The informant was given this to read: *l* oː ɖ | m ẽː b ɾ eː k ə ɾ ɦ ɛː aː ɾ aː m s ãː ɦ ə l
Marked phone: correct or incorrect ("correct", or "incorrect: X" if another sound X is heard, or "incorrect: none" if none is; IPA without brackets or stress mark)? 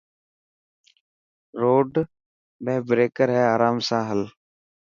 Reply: incorrect: ɾ